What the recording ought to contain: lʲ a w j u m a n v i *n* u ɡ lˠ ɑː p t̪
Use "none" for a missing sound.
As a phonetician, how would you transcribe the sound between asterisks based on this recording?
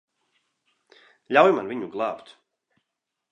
ɲ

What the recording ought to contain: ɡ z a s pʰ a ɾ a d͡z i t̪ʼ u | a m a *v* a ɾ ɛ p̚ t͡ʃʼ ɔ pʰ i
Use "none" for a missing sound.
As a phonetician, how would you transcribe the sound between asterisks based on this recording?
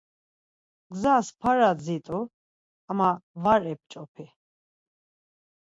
v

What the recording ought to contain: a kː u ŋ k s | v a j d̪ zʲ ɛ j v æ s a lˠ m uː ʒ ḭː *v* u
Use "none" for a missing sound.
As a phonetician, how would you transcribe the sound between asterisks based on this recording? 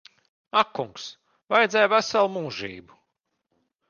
b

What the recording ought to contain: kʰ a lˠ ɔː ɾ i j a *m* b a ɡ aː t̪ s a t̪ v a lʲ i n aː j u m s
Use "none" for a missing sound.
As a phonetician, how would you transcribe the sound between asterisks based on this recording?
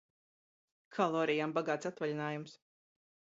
m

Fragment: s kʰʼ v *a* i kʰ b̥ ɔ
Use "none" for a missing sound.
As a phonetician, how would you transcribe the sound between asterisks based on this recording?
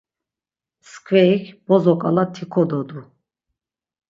ɛ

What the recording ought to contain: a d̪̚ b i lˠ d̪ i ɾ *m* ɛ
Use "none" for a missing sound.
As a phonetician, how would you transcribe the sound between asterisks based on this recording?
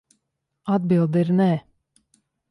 n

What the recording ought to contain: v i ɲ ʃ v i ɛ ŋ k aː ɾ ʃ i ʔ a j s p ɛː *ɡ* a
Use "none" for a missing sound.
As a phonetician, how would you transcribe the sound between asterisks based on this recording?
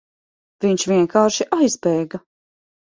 ɡ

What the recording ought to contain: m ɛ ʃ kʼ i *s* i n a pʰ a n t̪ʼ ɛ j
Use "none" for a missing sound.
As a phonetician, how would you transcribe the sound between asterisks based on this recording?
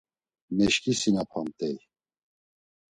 s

